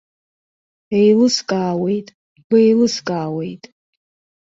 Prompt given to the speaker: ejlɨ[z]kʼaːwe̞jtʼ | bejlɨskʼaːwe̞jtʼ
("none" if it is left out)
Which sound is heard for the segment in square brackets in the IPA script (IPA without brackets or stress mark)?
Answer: s